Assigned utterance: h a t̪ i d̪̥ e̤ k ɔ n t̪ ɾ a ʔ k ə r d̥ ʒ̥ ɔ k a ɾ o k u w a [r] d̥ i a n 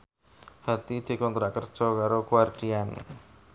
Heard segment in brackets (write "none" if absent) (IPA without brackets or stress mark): r